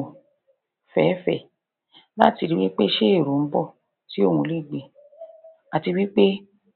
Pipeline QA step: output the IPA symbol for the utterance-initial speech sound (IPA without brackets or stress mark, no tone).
f